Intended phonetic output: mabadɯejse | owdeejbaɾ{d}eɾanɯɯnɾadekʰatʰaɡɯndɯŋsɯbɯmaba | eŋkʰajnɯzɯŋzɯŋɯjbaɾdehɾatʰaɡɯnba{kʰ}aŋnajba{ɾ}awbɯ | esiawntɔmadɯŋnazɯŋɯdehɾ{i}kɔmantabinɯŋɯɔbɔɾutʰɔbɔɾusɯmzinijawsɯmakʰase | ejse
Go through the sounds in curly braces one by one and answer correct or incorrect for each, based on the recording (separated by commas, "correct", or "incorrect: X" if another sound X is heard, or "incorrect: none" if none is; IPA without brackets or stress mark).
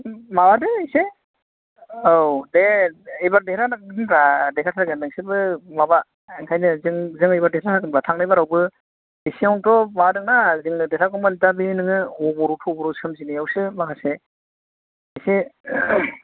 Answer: correct, incorrect: tʰ, correct, incorrect: a